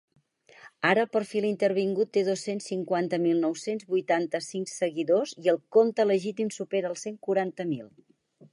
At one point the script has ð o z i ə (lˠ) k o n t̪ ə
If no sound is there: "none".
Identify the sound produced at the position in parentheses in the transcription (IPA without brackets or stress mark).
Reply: lˠ